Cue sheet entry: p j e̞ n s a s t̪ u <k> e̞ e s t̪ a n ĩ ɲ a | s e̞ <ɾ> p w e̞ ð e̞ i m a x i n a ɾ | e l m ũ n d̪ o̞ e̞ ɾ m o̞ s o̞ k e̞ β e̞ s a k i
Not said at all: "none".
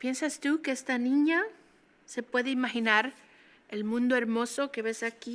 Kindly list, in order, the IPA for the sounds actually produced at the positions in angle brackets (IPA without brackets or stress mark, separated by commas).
k, none